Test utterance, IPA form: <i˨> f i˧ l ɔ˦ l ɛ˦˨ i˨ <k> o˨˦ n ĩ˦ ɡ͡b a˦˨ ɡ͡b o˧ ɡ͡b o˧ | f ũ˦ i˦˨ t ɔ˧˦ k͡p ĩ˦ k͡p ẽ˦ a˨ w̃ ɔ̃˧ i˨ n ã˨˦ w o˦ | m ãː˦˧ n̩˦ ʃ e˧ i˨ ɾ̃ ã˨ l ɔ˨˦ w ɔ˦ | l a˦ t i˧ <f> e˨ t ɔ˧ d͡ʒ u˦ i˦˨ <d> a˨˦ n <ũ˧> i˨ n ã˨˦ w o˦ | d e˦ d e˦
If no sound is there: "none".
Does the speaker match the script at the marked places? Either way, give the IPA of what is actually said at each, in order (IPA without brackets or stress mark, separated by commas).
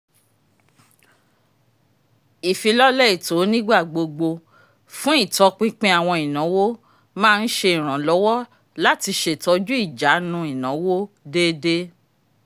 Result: i˨, t, ʃ, d͡ʒ, ũ˧